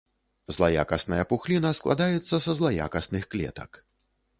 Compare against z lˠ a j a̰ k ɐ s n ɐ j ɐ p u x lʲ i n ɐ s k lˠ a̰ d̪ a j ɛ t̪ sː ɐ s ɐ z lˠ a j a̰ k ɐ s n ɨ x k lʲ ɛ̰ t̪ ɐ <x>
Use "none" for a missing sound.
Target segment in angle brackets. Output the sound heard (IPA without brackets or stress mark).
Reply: k